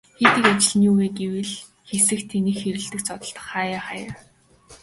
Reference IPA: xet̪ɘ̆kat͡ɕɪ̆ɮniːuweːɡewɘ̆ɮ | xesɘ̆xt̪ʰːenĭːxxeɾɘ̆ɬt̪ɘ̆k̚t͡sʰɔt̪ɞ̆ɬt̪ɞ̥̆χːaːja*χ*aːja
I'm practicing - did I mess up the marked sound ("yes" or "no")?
no